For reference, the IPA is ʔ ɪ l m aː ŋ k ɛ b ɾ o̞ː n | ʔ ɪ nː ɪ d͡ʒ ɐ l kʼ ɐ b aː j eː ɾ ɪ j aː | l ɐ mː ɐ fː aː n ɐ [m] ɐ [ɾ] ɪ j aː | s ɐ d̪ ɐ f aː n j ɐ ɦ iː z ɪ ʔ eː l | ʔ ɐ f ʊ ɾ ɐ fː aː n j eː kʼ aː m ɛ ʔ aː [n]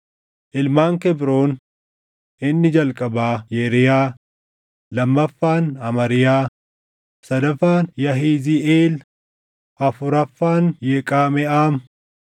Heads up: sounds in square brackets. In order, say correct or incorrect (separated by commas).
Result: correct, correct, incorrect